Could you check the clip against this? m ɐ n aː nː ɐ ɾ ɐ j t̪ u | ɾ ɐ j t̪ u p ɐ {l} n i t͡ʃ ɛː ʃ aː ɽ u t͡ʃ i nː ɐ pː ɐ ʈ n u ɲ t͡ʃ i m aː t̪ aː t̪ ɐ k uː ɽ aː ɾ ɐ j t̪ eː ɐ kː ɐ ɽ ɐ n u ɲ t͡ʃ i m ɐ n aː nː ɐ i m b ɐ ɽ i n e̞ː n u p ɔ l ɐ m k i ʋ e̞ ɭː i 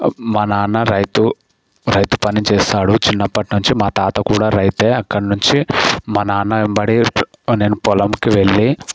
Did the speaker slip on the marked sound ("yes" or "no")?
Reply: yes